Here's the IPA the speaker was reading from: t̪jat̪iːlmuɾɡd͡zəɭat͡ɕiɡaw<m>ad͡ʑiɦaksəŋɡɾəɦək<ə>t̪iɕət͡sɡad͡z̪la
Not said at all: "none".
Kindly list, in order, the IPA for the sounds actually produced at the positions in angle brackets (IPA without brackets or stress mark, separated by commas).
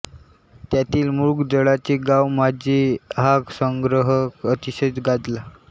m, ə